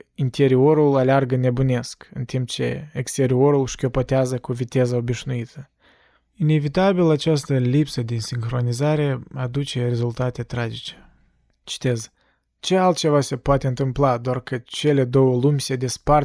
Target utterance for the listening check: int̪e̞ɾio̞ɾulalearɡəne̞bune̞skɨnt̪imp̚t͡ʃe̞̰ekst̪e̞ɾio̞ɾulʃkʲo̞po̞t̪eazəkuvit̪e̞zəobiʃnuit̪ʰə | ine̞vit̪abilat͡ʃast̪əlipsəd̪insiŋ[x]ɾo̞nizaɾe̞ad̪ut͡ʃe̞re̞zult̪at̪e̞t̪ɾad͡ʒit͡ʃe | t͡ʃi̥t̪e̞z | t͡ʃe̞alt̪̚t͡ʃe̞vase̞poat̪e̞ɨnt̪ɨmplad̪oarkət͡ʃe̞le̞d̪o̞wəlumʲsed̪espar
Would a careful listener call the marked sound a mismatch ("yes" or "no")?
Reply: no